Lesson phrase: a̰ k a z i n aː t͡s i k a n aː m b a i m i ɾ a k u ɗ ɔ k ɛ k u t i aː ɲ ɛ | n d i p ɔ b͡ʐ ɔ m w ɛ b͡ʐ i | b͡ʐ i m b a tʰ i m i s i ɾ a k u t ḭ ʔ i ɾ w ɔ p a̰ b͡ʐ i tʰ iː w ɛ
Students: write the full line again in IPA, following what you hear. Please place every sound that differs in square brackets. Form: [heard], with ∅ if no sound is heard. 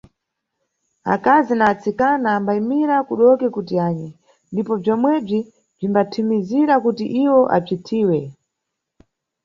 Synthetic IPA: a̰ k a z i n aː t͡s i k a n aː m b a i m i ɾ a k u ɗ ɔ k ɛ k u t i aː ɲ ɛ | n d i p ɔ b͡ʐ ɔ m w ɛ b͡ʐ i | b͡ʐ i m b a tʰ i m i [z] i ɾ a k u t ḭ ʔ i [∅] w ɔ [ʔ] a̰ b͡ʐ i tʰ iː w ɛ

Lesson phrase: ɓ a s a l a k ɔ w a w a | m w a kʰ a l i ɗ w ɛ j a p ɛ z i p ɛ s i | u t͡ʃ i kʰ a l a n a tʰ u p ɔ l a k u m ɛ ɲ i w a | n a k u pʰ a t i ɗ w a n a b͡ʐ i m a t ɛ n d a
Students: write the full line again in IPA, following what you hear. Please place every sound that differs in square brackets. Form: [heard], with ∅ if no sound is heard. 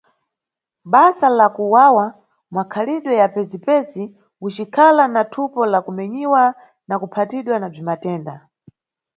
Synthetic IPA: ɓ a s a l a k [u] w a w a | m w a kʰ a l i ɗ w ɛ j a p ɛ z i p ɛ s i | u t͡ʃ i kʰ a l a n a tʰ u p ɔ l a k u m ɛ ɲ i w a | n a k u pʰ a t i ɗ w a n a b͡ʐ i m a t [ɛː] n d a

